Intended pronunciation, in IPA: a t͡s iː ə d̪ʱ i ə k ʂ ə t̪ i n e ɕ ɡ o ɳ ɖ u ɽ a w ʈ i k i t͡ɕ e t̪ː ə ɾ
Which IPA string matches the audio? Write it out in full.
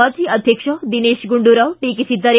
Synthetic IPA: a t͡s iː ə d̪ʱ j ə k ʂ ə d̪ i n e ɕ ɡ u ɳ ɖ u ɾ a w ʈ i k i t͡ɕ i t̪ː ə ɾ